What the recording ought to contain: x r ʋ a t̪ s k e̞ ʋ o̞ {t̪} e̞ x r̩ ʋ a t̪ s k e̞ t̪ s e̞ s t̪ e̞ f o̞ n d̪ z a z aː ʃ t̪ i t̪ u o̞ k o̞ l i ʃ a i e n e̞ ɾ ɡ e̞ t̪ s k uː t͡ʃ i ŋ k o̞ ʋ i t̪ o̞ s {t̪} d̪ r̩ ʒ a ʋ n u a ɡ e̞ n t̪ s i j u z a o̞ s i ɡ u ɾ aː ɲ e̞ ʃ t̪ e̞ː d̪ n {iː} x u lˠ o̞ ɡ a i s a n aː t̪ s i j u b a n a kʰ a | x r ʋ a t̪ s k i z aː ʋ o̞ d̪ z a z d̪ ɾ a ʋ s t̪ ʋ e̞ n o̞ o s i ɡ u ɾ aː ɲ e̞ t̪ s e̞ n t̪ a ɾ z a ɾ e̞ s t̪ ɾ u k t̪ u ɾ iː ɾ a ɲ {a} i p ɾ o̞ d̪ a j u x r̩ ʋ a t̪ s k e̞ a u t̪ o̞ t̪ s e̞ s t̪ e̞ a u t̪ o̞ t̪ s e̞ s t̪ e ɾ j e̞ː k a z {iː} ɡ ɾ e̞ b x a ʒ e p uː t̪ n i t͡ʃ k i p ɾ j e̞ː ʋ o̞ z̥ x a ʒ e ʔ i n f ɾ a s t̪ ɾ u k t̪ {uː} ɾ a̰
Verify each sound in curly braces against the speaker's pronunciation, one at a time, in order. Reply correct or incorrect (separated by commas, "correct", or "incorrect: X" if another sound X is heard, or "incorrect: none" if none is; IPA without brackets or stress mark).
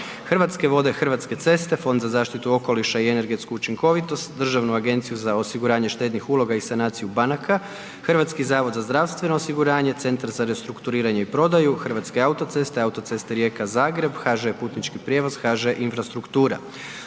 incorrect: d̪, correct, incorrect: i, incorrect: e, incorrect: aː, correct